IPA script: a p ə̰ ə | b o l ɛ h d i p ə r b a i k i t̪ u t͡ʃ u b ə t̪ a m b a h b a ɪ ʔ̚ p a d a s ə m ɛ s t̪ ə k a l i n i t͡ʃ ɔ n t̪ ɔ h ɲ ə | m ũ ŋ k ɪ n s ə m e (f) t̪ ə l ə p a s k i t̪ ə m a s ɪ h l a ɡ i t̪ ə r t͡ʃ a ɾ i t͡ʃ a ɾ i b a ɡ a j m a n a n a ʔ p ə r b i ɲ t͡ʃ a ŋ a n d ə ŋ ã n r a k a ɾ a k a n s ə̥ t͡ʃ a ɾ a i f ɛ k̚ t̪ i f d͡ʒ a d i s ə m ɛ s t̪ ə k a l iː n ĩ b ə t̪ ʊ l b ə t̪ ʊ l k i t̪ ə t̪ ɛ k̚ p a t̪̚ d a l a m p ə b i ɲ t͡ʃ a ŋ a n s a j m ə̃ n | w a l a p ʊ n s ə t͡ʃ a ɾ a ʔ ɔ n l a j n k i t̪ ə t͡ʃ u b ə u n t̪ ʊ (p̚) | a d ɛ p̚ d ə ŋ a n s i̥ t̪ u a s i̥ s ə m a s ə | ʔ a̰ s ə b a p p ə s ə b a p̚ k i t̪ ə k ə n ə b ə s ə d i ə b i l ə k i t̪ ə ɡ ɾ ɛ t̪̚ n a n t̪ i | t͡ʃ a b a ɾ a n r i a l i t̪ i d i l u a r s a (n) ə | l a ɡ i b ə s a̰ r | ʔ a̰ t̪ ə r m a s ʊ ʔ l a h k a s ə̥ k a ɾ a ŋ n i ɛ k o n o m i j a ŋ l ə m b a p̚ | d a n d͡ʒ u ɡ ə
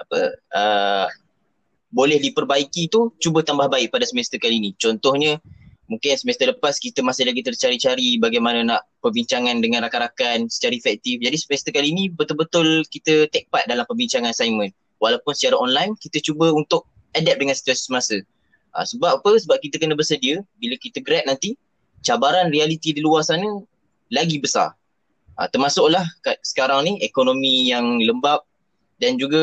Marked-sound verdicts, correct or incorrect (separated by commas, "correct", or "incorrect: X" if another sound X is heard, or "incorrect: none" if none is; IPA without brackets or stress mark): incorrect: s, incorrect: k̚, correct